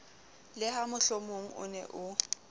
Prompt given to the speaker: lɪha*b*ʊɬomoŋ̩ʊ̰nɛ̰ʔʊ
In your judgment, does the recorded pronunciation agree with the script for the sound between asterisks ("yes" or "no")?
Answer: no